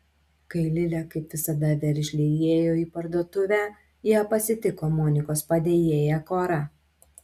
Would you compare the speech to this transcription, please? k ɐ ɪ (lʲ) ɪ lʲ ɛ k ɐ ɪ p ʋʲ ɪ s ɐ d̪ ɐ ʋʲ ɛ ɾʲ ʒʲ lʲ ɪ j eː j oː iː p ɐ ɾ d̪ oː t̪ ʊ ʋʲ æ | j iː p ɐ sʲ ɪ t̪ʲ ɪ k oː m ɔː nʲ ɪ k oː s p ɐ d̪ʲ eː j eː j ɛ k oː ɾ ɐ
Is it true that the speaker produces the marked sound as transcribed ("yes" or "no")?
yes